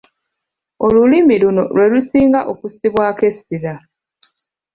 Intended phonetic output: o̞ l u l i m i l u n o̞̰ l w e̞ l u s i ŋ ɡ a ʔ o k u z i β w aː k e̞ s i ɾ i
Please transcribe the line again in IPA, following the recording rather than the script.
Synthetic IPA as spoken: o̞ l u l i m i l u n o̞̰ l w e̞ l u s iː ŋ ɡ a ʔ o k u s i β w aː k e̞ s i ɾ a